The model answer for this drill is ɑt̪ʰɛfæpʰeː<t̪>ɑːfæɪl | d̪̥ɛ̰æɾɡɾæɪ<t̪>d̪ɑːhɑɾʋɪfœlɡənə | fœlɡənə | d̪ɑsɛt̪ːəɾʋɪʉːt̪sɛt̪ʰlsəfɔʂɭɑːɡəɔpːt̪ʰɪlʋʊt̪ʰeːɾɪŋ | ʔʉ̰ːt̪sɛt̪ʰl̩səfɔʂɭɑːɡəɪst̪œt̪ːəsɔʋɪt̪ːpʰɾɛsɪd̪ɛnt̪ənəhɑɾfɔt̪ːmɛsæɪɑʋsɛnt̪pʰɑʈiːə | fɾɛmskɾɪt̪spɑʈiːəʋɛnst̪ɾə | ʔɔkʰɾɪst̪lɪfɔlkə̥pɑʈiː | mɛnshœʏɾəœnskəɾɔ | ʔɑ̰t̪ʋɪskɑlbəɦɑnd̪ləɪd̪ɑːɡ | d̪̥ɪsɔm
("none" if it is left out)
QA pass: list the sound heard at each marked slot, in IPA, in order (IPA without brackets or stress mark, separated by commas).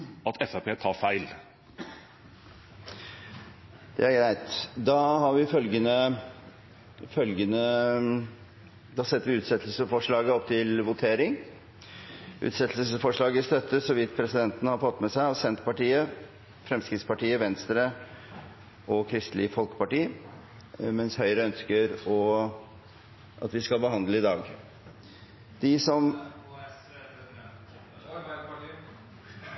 t̪ʰ, t̪